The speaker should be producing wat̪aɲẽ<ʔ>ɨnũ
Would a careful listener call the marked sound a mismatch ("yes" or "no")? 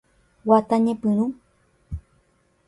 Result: yes